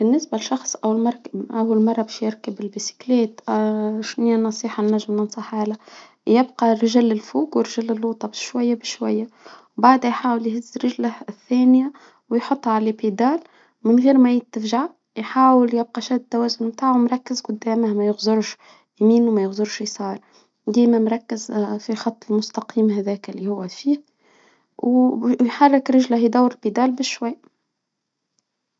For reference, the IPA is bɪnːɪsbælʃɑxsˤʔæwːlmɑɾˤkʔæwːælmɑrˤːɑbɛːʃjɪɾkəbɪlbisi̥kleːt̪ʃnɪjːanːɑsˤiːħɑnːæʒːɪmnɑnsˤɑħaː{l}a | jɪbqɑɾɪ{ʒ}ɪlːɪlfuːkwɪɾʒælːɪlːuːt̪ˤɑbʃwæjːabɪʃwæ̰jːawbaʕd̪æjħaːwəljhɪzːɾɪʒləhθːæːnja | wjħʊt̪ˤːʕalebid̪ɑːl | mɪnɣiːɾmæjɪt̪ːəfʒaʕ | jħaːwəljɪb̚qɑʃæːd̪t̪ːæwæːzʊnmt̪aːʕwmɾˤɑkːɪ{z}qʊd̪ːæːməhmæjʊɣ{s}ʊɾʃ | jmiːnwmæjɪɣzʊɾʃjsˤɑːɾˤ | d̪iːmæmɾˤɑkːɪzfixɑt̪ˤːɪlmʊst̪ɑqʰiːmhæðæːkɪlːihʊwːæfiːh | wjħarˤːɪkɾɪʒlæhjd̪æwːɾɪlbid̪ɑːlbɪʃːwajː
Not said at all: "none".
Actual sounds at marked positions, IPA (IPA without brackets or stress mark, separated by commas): l, ʒ, z, z